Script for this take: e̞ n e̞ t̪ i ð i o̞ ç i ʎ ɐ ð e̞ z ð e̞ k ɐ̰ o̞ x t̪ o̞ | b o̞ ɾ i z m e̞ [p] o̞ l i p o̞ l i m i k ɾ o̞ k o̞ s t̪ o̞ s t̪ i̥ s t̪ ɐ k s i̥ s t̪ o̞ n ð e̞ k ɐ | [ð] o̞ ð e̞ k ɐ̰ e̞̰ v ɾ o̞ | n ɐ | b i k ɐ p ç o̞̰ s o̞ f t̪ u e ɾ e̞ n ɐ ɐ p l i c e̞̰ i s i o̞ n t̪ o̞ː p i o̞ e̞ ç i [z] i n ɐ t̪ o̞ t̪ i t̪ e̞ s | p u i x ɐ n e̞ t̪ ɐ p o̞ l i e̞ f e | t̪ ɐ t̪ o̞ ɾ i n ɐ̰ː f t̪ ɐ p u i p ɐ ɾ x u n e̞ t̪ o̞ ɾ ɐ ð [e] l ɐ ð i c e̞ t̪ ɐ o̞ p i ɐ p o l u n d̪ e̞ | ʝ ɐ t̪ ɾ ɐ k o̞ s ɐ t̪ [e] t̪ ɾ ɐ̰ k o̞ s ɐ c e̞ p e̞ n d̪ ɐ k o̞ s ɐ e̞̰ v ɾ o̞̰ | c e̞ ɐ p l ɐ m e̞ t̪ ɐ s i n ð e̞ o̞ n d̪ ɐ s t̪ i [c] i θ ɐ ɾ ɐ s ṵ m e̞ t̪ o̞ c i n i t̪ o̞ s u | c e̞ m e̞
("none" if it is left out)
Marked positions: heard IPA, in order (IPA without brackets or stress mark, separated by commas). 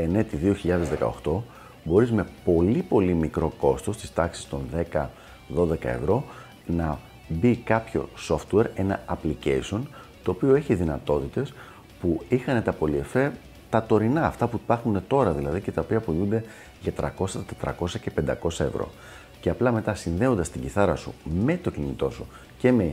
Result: p, ð, ð, i, e, ɟ